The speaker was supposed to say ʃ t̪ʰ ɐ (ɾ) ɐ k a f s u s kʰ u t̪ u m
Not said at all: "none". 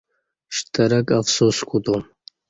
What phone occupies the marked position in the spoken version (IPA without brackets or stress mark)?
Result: ɾ